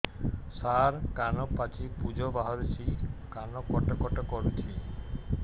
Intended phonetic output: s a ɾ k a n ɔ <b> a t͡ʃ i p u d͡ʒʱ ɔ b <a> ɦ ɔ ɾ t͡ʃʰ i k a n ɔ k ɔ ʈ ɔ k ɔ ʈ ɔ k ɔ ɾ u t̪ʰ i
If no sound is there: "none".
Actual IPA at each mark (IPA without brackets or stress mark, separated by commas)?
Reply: p, a